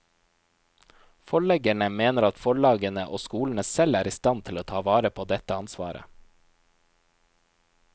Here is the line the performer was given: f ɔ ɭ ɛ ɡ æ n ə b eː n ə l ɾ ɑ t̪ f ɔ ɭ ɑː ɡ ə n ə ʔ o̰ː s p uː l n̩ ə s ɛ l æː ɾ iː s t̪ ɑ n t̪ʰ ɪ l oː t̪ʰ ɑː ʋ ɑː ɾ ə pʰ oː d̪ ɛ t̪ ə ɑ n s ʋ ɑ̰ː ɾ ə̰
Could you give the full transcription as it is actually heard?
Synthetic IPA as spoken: f ɔ ɭ ɛ ɡ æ ɳ ə m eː n ə ɾ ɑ t̪ f ɔ ɭ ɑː ɡ ə n ə ʔ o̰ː s k uː l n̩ ə s ɛ l æː ɾ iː s t̪ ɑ n t̪ʰ ɪ l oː t̪ʰ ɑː ʋ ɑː ɾ ə pʰ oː d̪ ɛ t̪ ə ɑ n s ʋ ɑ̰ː ɾ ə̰